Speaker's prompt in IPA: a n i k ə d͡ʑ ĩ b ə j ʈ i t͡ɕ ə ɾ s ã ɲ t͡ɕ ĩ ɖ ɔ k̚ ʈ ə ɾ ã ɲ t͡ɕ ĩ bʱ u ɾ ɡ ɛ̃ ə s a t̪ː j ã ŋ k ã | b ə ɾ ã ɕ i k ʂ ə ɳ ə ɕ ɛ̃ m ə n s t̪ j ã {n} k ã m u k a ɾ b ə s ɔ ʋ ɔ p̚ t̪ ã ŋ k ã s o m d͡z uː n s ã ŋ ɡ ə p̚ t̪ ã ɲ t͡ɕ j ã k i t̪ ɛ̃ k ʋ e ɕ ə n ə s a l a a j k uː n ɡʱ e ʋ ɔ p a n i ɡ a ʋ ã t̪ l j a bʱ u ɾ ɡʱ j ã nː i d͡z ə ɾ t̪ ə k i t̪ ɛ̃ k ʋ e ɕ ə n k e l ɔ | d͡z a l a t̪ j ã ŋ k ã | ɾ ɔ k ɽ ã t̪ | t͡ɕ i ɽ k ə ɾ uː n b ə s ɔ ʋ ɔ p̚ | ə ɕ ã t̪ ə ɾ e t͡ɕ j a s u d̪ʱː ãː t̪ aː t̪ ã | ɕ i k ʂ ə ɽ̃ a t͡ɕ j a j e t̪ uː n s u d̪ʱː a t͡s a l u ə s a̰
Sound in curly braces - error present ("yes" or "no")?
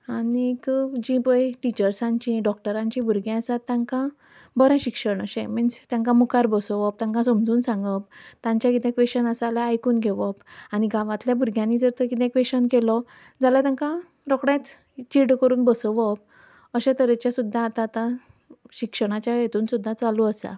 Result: yes